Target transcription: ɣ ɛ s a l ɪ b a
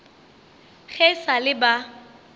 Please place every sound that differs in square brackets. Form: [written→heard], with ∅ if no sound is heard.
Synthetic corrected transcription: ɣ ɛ s a l ɪ b a

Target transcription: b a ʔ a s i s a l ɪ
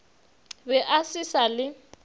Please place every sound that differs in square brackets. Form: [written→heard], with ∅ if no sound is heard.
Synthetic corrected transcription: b [a→ɛ] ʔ a s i s a l ɪ

